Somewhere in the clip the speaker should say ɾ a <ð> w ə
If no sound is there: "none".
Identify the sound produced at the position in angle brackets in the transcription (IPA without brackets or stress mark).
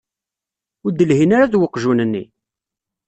ð